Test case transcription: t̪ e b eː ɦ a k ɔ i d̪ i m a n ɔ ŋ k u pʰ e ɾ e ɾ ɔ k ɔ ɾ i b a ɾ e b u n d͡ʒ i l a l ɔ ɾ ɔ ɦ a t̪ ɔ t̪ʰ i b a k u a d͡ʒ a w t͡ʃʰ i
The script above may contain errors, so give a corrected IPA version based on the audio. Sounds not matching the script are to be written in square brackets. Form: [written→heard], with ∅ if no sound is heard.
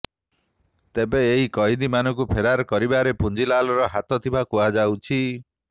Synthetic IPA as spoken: t̪ e b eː ɦ [a→i] k ɔ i d̪ i m a n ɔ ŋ k u pʰ e ɾ [e→a] ɾ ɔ k ɔ ɾ i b a ɾ e [b→p] u n d͡ʒ i l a l ɔ ɾ ɔ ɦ a t̪ ɔ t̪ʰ i b a k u a d͡ʒ a w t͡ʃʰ i